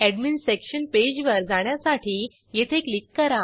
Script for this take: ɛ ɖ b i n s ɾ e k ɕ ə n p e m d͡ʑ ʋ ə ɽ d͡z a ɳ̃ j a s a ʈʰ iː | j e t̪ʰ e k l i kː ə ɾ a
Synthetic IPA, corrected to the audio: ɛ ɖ m i n s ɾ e k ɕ ə n p e d͡ʑ ʋ ə ɾ d͡z a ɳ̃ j a s a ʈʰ iː | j e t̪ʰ e k l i kː ə ɾ a